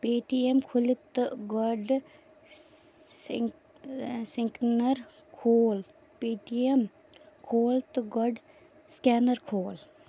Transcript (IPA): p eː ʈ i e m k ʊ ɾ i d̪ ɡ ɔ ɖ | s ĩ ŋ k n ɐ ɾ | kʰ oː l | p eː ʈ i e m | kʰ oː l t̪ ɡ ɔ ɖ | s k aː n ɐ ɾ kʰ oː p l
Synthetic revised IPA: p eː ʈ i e m kʰ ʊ l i t̪ ɡ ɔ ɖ | s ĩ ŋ k n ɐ ɾ | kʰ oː l | p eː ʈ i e m | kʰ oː l t̪ ɡ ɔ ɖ | s k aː n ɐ ɾ kʰ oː l